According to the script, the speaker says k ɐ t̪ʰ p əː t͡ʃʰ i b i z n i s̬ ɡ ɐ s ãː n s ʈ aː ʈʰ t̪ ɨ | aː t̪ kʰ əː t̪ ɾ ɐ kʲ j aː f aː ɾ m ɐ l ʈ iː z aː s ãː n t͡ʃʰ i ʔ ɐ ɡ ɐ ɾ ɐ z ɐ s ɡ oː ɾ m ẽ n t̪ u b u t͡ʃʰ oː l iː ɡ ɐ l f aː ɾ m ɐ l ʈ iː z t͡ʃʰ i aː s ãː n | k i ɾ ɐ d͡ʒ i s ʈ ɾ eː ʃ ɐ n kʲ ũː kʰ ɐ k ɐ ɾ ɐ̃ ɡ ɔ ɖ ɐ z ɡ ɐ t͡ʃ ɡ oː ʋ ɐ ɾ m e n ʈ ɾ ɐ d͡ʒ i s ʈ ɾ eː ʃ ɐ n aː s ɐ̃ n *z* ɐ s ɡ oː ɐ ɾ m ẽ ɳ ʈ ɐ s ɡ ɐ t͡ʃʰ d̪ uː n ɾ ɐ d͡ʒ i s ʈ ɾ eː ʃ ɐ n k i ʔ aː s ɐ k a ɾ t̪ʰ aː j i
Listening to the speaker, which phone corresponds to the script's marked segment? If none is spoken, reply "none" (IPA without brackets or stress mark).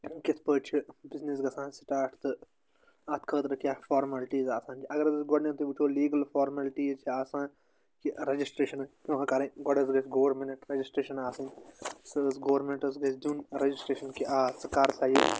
s